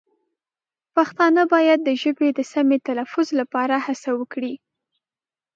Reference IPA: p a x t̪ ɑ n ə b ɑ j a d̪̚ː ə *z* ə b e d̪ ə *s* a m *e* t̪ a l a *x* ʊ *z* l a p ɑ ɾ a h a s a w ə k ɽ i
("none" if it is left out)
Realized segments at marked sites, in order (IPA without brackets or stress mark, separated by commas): ʒ, s, e, f, z